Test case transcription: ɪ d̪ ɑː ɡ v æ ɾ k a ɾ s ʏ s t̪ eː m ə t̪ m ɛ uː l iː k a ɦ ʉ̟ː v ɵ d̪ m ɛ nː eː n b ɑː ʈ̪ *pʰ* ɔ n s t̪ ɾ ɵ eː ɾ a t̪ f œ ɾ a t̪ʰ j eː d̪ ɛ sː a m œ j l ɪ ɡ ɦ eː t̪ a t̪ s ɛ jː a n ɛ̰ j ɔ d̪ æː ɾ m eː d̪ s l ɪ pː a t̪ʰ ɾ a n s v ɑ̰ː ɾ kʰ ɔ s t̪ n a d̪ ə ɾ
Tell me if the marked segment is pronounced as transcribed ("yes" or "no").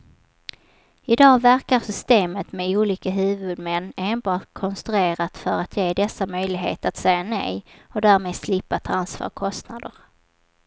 no